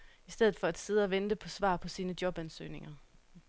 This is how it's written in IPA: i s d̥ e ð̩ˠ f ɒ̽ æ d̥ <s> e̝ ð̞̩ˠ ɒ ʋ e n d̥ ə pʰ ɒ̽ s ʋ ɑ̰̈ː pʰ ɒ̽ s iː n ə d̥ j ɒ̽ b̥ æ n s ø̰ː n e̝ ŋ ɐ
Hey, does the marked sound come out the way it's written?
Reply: yes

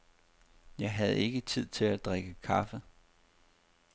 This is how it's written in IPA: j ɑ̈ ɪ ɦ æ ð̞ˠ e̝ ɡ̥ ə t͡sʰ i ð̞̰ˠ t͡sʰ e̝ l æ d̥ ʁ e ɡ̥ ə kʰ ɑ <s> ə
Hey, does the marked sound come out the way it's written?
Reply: no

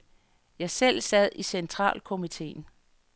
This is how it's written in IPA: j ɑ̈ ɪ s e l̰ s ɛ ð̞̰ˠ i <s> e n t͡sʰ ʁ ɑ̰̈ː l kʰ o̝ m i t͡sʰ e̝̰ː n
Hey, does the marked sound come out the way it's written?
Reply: yes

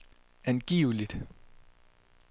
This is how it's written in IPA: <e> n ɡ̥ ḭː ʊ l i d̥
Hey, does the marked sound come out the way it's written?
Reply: no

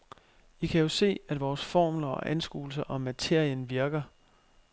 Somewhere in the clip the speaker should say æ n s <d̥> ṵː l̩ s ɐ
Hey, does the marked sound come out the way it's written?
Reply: no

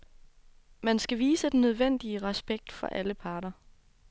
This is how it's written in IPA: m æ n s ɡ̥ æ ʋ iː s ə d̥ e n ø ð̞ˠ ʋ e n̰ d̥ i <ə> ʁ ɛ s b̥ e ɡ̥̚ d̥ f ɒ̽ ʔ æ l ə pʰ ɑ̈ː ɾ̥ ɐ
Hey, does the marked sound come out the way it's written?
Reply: yes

